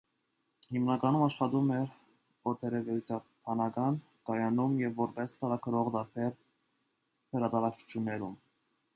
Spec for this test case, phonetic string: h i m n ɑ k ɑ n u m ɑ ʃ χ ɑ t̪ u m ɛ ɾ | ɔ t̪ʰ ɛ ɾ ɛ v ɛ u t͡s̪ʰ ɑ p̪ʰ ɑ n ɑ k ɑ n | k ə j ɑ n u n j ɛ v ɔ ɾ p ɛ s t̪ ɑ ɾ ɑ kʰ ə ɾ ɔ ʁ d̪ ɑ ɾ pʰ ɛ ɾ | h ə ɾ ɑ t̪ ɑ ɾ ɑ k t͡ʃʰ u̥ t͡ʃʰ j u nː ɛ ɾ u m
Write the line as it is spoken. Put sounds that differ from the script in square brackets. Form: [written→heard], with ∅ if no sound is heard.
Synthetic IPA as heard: h i m n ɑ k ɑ n u m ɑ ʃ χ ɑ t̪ u m ɛ ɾ | ɔ t̪ʰ ɛ ɾ ɛ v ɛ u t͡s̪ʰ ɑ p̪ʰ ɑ n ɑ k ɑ n | k [ə→ɑ] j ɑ n u [n→m] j ɛ [v→vː] ɔ ɾ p ɛ s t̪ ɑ ɾ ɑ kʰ ə ɾ ɔ ʁ d̪ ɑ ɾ pʰ ɛ ɾ | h ə ɾ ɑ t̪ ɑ ɾ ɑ k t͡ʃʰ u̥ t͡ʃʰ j u nː ɛ ɾ u m